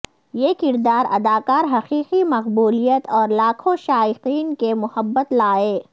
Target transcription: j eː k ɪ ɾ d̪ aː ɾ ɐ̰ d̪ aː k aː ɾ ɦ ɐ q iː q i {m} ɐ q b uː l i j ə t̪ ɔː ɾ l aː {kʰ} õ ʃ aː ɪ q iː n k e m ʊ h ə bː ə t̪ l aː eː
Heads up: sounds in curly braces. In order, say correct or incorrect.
correct, correct

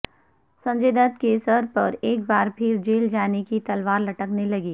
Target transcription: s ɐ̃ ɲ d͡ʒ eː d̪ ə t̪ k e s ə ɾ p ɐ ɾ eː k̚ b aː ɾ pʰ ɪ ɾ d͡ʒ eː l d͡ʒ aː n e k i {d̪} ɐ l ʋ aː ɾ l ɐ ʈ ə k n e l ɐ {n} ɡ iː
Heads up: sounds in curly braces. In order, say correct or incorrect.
incorrect, incorrect

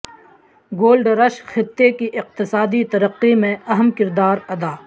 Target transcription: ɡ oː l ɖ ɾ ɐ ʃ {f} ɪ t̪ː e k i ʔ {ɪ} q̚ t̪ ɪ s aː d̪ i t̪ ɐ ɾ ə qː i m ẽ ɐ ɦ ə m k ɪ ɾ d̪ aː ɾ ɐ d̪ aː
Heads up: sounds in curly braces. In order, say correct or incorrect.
incorrect, correct

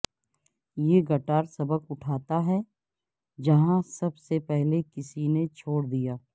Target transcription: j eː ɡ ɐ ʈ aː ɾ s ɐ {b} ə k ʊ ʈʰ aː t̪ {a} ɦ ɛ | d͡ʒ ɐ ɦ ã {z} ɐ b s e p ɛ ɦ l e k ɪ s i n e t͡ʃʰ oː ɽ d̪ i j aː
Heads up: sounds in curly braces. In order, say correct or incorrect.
correct, correct, incorrect

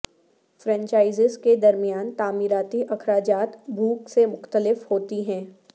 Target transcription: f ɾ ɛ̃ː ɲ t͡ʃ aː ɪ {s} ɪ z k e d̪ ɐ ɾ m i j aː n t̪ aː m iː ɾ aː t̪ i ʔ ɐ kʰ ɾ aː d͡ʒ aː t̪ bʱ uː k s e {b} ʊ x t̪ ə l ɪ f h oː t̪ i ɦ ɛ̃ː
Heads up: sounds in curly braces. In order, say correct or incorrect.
incorrect, incorrect

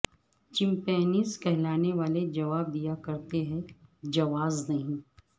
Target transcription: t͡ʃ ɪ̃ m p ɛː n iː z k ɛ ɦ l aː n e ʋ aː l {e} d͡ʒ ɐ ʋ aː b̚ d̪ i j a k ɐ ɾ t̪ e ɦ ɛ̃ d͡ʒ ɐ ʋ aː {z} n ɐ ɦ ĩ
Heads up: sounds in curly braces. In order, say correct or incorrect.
correct, correct

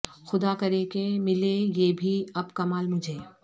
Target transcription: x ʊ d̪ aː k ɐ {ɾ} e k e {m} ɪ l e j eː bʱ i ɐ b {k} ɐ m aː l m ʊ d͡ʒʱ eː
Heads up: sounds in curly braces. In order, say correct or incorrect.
correct, correct, correct

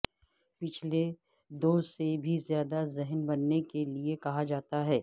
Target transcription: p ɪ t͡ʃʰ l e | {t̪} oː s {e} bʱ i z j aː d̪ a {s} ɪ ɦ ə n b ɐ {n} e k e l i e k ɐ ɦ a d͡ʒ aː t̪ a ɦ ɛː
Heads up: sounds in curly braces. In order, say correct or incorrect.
incorrect, correct, incorrect, incorrect

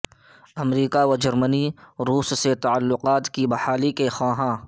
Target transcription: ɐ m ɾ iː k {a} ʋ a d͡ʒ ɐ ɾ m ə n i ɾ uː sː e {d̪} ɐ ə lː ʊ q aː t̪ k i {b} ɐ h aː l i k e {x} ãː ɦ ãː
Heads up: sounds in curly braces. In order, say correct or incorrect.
correct, incorrect, correct, correct

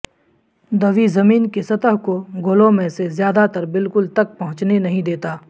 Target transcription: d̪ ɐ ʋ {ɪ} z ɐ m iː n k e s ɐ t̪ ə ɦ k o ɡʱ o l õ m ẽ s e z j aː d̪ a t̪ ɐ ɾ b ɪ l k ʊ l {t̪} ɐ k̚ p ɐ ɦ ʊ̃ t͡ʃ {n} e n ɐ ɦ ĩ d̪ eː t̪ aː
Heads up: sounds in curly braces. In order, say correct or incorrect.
incorrect, correct, correct

